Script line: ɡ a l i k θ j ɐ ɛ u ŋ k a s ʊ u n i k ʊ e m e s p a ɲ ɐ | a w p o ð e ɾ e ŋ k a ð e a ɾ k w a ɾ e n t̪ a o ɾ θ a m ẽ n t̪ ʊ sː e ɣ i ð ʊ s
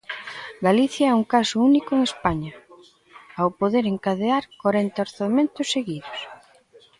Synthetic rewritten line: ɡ a l i θ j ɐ ɛ u ŋ k a s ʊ u n i k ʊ e ŋ e s p a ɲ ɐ | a w p o ð e ɾ e ŋ k a ð e a ɾ k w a ɾ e n t̪ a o ɾ θ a m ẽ n t̪ ʊ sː e ɣ i ð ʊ s